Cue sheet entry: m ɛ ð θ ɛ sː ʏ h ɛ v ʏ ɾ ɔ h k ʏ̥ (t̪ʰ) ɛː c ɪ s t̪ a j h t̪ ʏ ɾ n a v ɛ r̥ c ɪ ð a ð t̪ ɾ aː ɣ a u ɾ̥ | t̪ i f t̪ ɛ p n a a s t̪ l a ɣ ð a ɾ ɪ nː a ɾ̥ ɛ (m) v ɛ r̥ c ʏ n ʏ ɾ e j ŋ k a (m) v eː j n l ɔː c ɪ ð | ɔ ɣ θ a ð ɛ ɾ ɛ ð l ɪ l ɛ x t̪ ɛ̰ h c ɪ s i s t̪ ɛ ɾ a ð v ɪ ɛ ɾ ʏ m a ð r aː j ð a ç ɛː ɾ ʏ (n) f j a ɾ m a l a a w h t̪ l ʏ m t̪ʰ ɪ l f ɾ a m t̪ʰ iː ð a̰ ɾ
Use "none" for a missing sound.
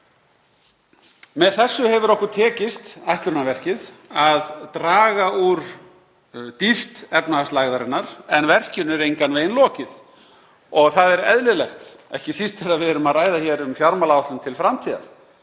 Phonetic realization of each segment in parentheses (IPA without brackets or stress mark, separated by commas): t̪ʰ, n, n, m